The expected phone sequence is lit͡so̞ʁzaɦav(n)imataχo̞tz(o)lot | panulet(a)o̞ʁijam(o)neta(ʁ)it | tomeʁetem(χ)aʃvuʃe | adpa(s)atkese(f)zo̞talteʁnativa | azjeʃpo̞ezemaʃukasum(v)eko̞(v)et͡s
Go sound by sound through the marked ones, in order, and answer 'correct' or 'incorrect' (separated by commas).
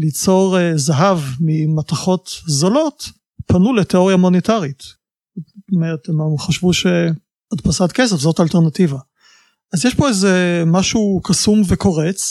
incorrect, correct, incorrect, correct, correct, correct, correct, correct, correct, incorrect